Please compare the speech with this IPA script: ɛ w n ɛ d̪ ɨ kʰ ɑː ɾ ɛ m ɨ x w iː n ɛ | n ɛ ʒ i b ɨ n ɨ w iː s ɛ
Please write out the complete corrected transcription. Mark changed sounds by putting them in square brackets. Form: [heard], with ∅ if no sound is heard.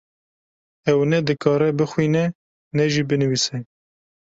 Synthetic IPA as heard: ɛ w n ɛ d̪ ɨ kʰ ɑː ɾ ɛ [b] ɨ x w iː n ɛ | n ɛ ʒ i b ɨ n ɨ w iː s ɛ

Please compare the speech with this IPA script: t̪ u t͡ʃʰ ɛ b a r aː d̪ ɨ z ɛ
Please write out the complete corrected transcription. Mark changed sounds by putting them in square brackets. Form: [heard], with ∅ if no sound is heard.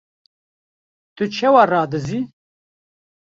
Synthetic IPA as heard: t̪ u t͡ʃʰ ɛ [w] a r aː d̪ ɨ z [i]

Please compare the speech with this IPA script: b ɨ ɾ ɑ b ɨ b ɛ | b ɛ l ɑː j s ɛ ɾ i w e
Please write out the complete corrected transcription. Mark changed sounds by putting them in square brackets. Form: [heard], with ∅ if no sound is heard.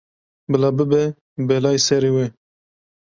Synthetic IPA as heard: b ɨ [l] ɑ b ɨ b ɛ | b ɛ l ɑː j s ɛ ɾ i w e

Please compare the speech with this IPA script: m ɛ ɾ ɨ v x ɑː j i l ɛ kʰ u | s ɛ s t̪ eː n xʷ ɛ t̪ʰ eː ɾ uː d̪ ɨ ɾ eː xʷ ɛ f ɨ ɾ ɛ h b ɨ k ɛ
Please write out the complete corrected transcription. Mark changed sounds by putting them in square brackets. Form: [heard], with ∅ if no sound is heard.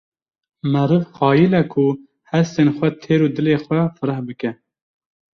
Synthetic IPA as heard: m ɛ ɾ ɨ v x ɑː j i l ɛ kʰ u | [h] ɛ s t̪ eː n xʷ ɛ t̪ʰ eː ɾ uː d̪ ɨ [l] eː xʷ ɛ f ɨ ɾ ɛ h b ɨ k ɛ

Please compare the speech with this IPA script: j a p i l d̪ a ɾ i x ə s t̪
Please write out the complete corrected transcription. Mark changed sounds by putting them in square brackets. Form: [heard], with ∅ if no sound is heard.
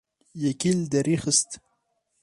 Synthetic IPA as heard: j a [k] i l d̪ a ɾ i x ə s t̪

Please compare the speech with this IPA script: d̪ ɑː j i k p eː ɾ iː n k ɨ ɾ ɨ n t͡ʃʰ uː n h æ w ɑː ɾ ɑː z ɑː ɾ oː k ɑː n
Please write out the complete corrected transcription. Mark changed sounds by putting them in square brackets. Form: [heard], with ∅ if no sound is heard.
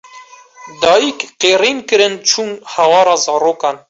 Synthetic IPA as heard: d̪ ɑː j i k [q] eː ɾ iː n k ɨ ɾ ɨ n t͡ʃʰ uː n h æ w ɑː ɾ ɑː z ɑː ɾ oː k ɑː n

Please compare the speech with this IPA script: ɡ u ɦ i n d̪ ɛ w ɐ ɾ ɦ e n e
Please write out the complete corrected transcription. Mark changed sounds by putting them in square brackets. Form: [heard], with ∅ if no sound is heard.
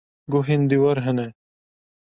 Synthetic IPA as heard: ɡ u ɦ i n d̪ [i] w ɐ ɾ ɦ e n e

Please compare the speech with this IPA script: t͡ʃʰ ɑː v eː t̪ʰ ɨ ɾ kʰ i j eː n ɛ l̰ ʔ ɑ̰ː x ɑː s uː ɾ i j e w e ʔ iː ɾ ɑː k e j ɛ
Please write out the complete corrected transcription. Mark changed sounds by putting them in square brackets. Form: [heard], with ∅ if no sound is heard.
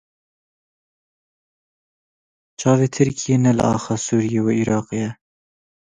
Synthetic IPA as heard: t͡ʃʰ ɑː v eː t̪ʰ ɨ ɾ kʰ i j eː n ɛ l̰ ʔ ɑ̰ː x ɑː s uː ɾ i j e w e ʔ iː ɾ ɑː [q] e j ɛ

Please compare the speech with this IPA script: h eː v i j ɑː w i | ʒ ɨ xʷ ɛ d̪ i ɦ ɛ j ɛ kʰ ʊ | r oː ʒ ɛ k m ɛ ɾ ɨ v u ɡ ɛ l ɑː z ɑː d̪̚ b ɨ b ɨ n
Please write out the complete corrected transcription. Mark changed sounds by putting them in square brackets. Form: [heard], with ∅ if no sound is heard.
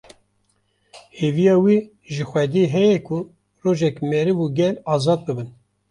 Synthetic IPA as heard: h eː v i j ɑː w i | ʒ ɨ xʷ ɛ d̪ i ɦ ɛ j ɛ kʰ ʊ | r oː ʒ ɛ k m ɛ ɾ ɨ v u ɡ ɛ l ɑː z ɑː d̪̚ b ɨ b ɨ n

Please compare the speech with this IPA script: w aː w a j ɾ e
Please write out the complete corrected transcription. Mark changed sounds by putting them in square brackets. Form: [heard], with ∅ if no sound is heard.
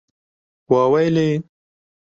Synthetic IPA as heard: w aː w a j [l] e

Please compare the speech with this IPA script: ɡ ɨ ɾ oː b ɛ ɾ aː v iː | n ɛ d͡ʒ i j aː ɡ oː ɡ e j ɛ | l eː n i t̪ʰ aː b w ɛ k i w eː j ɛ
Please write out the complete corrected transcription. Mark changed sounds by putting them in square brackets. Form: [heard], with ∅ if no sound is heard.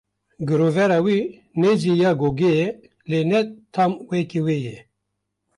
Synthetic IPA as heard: ɡ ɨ ɾ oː [v] ɛ ɾ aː [w] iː | n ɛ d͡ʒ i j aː ɡ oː ɡ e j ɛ | l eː n [ɛ] t̪ʰ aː [m] w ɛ k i w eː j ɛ

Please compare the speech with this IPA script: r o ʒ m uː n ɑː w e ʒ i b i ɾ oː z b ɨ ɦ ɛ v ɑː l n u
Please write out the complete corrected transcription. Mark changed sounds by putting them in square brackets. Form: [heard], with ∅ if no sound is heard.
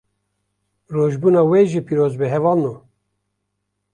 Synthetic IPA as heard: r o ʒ [b] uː n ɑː w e ʒ i [p] i ɾ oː z b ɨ ɦ ɛ v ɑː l n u

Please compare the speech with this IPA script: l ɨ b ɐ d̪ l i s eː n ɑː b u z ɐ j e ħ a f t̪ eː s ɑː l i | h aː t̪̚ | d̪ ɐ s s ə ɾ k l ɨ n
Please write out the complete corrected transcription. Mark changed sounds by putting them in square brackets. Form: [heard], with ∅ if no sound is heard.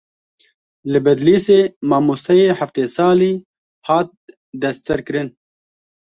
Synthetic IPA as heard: l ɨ b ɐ d̪ l i s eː [m] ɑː [m] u [s] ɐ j e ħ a f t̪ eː s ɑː l i | h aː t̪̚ | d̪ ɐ s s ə ɾ k [ɾ] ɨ n

